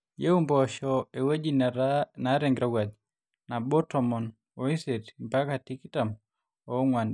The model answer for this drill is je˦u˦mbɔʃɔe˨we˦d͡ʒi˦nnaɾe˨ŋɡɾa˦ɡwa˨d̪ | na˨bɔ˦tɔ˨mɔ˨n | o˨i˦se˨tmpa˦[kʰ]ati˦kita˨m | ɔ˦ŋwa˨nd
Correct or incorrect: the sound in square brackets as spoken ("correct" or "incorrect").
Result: incorrect